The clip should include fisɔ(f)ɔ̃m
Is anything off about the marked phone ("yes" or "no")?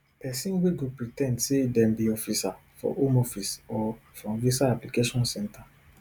no